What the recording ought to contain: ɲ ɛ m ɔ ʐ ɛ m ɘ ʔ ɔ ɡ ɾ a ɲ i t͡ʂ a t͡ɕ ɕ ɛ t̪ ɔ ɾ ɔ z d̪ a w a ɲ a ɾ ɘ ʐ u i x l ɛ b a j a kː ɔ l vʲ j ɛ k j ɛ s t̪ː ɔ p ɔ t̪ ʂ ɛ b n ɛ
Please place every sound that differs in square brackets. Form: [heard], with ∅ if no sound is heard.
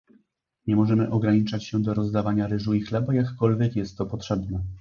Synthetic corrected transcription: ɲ ɛ m ɔ ʐ ɛ m ɘ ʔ ɔ ɡ ɾ a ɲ i t͡ʂ a t͡ɕ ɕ ɛ [d̪] ɔ ɾ ɔ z d̪ a [v] a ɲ a ɾ ɘ ʐ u i x l ɛ b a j a kː ɔ l vʲ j ɛ k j ɛ s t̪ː ɔ p ɔ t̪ ʂ ɛ b n ɛ